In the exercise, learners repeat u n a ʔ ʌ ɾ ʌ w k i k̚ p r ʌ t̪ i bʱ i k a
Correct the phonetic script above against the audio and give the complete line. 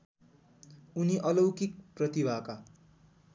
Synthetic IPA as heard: u n i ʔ ʌ l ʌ w k i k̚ p r ʌ t̪ i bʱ a k a